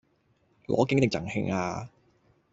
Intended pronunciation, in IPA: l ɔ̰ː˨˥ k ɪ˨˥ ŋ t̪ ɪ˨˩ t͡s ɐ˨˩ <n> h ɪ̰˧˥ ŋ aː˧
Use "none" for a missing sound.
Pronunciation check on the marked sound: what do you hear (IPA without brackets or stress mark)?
ŋ